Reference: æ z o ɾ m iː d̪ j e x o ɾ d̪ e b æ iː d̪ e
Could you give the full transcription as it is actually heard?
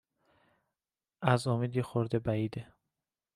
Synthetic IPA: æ z o m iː d̪ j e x o ɾ d̪ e b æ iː d̪ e